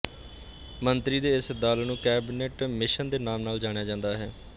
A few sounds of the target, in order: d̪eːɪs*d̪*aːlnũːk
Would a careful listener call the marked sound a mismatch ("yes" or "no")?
no